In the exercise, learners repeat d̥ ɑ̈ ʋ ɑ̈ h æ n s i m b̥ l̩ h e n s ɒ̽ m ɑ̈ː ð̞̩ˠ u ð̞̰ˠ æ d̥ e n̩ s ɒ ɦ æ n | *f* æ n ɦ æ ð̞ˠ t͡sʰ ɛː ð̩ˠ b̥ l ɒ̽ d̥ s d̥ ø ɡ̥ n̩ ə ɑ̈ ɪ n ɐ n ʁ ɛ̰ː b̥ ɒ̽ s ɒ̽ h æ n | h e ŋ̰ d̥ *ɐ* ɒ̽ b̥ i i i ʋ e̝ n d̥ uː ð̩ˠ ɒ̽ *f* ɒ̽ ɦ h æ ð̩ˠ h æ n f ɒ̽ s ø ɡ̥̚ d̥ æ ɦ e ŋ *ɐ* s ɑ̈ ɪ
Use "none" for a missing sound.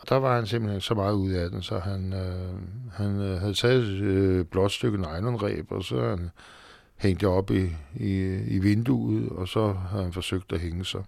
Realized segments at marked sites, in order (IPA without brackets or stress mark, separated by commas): h, ə, s, ə